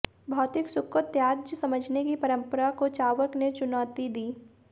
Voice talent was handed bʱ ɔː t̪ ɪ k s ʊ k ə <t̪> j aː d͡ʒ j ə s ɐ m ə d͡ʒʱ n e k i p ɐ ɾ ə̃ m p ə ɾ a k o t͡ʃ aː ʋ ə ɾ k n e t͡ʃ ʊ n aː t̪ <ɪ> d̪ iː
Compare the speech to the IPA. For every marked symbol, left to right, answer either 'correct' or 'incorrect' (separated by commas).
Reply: correct, incorrect